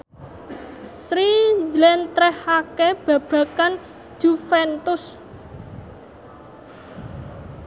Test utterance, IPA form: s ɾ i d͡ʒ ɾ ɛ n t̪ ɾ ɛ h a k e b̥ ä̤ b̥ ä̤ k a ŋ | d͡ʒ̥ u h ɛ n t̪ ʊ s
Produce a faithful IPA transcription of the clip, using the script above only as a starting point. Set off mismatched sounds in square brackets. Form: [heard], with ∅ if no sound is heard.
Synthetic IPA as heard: s ɾ i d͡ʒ [l] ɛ n t̪ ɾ ɛ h a k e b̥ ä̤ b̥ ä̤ k a [n] | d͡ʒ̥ u [f] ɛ n t̪ ʊ s